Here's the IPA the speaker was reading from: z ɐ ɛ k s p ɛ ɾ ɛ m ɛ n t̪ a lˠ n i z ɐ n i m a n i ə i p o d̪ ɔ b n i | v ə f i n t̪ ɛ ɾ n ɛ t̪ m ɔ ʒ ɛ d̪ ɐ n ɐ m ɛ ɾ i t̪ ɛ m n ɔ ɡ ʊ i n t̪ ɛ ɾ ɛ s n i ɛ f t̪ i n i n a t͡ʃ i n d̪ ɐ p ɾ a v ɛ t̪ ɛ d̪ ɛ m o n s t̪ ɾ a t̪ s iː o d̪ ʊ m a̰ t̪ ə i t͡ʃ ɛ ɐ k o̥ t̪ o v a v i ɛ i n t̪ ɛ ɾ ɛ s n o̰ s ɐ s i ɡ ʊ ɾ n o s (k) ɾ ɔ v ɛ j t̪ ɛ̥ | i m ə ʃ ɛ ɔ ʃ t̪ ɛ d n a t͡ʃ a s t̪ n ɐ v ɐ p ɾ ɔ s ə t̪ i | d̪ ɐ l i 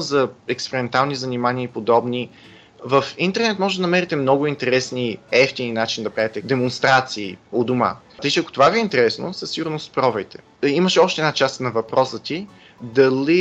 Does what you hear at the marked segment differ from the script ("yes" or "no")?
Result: yes